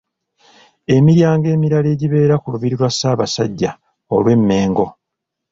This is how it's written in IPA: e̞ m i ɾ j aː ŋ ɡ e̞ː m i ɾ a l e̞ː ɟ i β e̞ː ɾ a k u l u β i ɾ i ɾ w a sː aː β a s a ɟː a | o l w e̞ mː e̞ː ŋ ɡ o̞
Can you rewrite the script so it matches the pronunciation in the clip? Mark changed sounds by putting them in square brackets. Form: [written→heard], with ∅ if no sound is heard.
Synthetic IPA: e̞ m i ɾ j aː ŋ ɡ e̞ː m i ɾ a l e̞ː ɟ i β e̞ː ɾ a k u l u β i ɾ i ɾ w a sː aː β a s a ɟː a | o l w e̞ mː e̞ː ŋ ɡ o̞

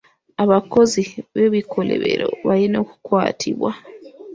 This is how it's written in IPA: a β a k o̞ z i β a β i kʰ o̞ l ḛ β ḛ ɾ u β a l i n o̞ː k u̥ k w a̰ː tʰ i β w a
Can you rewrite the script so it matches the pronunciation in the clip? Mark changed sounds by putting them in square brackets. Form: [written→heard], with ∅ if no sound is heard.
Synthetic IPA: a β a k o̞ z i β [a→e] β i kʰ o̞ l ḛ β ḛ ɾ [u→o] β a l i n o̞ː k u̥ k w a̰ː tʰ i β w a

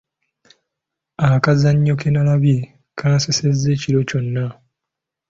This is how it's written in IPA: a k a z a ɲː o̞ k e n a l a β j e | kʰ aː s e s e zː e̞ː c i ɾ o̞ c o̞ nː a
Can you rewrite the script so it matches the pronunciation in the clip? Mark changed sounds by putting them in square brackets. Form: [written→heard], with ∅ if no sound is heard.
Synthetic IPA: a k a z a ɲː o̞ k e n a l a β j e | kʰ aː s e s e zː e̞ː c i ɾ o̞ c o̞ nː a

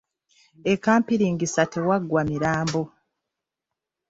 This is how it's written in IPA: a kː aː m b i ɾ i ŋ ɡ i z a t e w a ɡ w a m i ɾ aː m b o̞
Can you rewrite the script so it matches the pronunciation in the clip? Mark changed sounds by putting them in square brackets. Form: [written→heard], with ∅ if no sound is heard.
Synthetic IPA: [a→e] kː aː m [b→p] i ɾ i ŋ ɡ i [z→s] a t e w a ɡ w a m i ɾ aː m b o̞

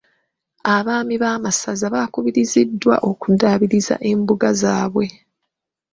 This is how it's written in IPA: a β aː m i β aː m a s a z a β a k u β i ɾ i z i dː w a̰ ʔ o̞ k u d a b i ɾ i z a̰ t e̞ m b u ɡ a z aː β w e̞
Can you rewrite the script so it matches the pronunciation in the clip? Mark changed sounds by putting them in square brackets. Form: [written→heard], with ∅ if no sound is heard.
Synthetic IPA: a β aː m i β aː m a s a z a β a k u β i ɾ i z i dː w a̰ ʔ o̞ k u d a [b→β] i ɾ i z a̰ [t→ʔ] e̞ m b u ɡ a z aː β w e̞

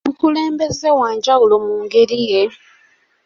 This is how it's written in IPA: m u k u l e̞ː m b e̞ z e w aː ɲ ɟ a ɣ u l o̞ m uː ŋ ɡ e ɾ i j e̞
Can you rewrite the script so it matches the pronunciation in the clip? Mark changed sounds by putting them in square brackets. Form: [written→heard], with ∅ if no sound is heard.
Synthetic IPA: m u k u l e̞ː m b e̞ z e w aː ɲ ɟ a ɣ u l o̞ m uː ŋ ɡ e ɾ i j e̞

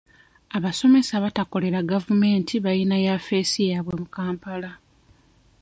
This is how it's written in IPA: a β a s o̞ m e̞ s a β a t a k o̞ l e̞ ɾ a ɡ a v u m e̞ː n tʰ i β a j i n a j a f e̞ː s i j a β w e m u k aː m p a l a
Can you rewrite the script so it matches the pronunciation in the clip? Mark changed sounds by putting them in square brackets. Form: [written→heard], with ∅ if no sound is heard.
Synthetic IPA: a β a s o̞ m e̞ s a β a t a k o̞ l e̞ ɾ a ɡ a v u m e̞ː n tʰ i β a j i n a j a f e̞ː s i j a β w e m u k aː m p a l a

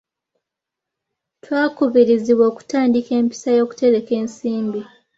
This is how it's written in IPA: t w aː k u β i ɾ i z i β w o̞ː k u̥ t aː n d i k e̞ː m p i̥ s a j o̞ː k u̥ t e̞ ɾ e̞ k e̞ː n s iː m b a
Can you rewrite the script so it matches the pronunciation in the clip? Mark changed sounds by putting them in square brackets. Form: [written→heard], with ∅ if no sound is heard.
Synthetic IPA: t w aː k u β i ɾ i z i β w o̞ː k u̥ t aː n d i k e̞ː m p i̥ s a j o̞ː k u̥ t e̞ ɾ e̞ k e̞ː n s iː m b [a→i]

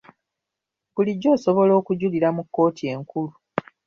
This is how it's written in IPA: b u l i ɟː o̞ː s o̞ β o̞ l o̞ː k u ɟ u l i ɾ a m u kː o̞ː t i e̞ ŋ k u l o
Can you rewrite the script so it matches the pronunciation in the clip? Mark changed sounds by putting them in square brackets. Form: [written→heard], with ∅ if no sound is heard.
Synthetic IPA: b u l i ɟː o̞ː s o̞ β o̞ l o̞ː k u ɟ u l i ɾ a m u kː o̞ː t i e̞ ŋ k u l [o→u]

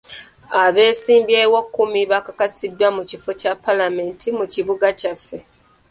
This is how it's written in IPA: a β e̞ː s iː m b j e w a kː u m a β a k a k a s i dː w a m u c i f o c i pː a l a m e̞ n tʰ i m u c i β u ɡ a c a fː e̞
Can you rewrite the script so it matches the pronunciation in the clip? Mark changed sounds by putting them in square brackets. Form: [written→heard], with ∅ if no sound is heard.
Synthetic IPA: a β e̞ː s iː m b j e w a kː u m [a→i] β a k a k a s i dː w a m u c i f o c [i→a] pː a l a m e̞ n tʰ i m u c i β u ɡ a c a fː e̞

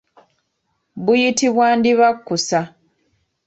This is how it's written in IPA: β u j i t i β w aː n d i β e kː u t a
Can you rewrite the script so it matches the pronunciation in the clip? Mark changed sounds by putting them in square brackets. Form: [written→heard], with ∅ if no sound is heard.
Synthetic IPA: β u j i t i β w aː n d i β [e→a] kː u [t→s] a

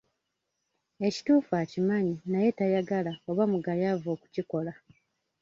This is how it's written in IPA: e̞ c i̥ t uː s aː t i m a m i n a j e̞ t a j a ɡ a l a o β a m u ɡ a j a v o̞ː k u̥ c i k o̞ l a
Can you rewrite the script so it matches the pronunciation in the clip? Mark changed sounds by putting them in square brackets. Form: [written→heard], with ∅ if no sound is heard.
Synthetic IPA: e̞ c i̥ t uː [s→f] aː [t→c] i m a [m→ɲ] i n a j e̞ t a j a ɡ a l a o β a m u ɡ a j a v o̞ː k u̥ c i k o̞ l a

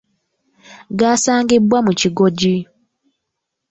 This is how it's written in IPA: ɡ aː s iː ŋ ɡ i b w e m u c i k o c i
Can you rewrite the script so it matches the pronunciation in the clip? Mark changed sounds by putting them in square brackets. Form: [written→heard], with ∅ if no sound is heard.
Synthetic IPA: ɡ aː s [iː→aː] ŋ ɡ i b w [e→a] m u c i [k→ɡ] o [c→ɟ] i

